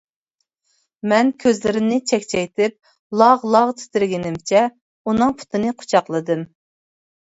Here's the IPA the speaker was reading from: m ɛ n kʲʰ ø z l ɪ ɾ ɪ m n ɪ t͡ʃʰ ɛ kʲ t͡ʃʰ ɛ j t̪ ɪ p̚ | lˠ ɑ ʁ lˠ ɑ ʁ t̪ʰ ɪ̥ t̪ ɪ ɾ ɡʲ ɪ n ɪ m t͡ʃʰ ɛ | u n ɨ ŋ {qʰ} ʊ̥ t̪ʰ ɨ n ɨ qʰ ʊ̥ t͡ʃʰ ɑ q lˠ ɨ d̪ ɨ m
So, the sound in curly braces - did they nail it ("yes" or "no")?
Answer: no